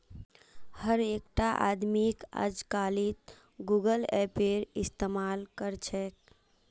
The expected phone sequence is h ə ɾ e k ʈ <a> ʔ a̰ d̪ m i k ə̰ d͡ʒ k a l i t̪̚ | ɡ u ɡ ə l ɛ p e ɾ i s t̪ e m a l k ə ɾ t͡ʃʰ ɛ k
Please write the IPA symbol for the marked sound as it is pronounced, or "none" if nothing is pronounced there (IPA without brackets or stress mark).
a